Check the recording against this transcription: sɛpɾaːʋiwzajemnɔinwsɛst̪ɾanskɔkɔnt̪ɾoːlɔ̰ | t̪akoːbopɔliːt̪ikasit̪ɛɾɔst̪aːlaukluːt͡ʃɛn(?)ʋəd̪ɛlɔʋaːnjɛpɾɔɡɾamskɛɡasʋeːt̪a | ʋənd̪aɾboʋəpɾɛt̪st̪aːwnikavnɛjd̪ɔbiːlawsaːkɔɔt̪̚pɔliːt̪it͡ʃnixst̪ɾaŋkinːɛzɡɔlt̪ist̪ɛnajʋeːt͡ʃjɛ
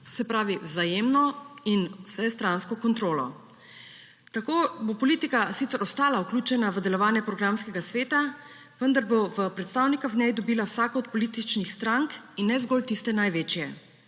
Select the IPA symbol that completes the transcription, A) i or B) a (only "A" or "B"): B